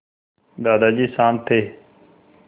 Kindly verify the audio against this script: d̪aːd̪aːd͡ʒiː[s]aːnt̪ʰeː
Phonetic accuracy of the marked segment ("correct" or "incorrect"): correct